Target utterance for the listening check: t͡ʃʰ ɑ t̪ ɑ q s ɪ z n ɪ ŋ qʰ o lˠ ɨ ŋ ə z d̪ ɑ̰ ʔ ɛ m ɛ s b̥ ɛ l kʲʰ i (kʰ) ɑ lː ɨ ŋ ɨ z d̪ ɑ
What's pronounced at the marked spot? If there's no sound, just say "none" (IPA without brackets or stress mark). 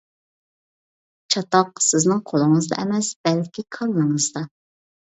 kʰ